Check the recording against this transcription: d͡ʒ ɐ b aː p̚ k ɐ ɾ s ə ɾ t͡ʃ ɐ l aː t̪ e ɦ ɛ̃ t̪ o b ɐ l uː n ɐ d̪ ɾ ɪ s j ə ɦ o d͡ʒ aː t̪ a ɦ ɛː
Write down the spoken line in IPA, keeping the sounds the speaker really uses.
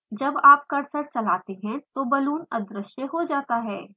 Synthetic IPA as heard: d͡ʒ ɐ b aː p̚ k ɐ ɾ s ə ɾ t͡ʃ ɐ l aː t̪ e ɦ ɛ̃ t̪ o b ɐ l uː n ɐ d̪ ɾ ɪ ʃ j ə ɦ o d͡ʒ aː t̪ a ɦ ɛː